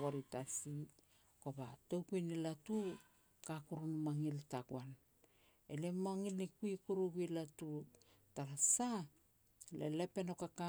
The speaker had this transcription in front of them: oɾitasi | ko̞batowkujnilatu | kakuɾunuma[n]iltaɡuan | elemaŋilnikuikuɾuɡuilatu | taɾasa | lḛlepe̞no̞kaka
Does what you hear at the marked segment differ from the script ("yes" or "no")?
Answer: yes